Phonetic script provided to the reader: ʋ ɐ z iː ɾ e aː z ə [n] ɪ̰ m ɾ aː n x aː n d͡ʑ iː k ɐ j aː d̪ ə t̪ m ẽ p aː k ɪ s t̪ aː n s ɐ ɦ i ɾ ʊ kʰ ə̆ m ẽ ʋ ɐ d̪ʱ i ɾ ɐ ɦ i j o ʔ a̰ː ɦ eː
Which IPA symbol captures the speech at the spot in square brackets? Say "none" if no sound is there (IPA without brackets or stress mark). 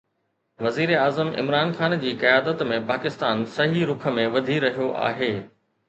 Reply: m